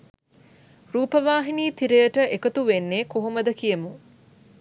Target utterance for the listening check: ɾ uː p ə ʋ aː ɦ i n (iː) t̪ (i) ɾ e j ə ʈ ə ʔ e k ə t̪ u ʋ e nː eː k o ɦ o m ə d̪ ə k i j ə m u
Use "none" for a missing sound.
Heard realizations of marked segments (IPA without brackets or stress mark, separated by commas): iː, i